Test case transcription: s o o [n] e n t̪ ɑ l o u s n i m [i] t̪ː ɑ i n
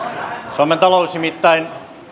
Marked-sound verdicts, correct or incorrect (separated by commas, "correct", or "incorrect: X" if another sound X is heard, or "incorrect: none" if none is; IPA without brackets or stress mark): incorrect: m, correct